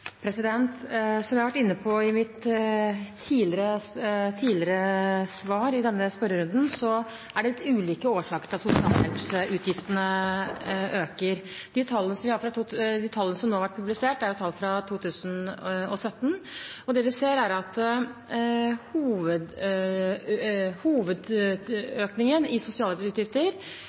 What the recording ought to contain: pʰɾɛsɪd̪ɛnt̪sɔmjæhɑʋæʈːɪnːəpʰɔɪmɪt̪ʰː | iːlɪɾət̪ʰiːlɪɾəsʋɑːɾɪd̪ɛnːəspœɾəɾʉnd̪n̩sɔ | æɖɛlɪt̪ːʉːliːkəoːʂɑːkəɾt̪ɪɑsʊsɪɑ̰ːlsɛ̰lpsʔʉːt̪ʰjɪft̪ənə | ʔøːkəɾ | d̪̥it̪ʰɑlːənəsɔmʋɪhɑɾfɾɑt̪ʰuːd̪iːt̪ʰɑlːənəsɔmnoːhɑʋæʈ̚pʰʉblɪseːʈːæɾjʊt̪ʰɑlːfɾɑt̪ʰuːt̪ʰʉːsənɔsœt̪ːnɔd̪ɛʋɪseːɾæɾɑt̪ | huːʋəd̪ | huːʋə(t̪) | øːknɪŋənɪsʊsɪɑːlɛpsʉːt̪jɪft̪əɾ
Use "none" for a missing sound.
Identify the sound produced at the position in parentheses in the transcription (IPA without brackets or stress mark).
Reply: d̪